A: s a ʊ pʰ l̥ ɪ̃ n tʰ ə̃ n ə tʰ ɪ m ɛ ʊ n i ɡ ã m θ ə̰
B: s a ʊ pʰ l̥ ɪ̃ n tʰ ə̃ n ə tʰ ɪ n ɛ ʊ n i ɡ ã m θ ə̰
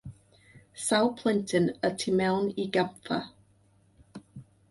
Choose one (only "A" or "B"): A